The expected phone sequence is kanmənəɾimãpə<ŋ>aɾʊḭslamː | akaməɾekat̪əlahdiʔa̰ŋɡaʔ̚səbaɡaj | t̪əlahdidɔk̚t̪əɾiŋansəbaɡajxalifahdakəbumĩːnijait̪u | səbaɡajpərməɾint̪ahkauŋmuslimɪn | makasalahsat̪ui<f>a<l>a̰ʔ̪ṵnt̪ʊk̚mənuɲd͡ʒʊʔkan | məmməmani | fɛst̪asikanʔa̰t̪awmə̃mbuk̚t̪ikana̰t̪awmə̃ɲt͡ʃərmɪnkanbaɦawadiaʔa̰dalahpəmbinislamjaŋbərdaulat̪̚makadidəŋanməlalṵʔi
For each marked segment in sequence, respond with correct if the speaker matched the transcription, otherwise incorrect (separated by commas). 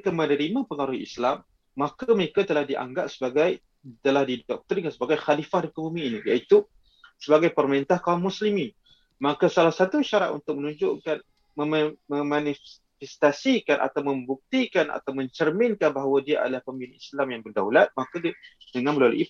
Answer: correct, incorrect, incorrect